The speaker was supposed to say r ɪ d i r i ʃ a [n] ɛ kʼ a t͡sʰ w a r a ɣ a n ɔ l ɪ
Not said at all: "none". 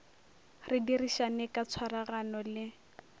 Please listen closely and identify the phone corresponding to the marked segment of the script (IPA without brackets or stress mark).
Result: n